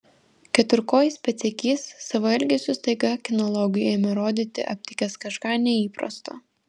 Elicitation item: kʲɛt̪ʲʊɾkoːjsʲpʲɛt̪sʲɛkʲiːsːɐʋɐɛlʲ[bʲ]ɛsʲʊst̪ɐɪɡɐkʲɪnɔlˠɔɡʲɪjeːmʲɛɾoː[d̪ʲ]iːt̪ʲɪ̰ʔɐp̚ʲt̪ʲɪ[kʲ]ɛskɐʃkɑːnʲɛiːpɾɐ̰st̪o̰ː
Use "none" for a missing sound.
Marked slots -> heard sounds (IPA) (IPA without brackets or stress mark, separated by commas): ɡʲ, d̪ʲ, kʲ